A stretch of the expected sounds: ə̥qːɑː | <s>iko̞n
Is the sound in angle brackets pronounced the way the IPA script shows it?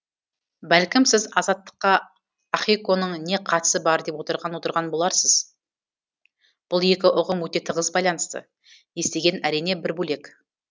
no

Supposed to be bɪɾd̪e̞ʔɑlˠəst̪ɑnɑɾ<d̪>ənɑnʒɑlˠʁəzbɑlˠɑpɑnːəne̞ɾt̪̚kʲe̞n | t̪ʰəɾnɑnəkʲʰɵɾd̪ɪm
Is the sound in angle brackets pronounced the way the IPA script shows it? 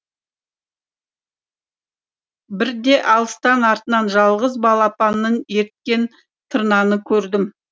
no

